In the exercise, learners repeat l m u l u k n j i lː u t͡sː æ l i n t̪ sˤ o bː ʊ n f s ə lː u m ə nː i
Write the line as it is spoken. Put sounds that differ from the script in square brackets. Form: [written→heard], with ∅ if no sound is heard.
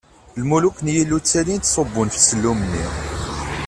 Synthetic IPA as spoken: l m u l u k n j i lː u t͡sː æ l i n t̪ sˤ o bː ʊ n f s ə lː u m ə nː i